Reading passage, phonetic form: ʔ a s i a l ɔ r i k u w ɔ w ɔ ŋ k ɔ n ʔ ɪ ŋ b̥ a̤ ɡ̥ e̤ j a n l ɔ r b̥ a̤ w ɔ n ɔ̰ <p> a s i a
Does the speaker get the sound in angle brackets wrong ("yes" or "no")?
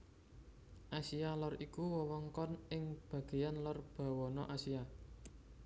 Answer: yes